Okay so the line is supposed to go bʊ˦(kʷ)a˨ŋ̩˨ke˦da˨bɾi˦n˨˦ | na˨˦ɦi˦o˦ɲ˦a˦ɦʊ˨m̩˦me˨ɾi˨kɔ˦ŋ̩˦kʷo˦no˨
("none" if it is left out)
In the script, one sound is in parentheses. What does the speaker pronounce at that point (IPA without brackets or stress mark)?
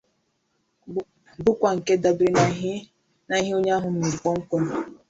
kʷ